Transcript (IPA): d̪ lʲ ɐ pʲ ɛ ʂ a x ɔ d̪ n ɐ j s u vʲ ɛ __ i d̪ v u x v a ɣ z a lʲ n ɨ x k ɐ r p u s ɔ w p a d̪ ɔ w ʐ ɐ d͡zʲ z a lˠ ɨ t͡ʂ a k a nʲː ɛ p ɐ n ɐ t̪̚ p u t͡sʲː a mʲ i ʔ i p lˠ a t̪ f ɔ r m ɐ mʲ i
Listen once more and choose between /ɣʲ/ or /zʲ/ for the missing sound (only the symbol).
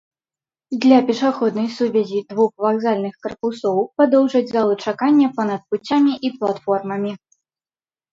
zʲ